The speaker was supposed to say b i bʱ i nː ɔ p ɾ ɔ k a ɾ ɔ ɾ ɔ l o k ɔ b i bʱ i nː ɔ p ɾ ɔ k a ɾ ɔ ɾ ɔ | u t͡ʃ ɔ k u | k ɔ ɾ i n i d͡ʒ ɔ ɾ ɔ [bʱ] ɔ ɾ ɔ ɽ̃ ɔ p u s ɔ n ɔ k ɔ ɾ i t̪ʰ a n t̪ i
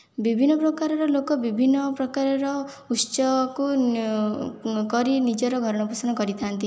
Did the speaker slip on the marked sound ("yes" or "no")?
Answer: yes